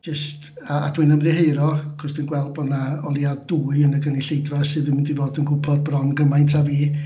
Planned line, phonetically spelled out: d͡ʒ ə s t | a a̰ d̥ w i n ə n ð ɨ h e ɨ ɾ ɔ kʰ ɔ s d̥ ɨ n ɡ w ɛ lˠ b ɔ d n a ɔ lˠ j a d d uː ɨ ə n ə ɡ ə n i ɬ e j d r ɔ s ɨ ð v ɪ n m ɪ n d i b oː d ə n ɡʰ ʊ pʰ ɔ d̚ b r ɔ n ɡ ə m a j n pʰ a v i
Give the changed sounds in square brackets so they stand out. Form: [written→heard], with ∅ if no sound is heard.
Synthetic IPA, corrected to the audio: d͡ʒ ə s t | a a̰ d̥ w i n ə [n→m] ð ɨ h e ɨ ɾ ɔ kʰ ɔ s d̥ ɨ n ɡ w ɛ lˠ b ɔ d n a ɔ lˠ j a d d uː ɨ ə n ə ɡ ə n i ɬ e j d r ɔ s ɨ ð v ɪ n m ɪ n d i [b→v] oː d ə n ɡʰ ʊ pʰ ɔ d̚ b r ɔ n ɡ ə m a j n [pʰ→tʰ] a v [i→iː]